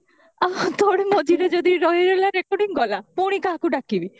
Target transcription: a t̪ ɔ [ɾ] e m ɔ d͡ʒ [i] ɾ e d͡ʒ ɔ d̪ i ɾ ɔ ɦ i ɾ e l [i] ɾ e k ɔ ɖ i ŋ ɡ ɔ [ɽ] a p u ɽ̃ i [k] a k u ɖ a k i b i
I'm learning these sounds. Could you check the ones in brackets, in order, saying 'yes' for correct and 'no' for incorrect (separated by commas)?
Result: no, yes, no, no, yes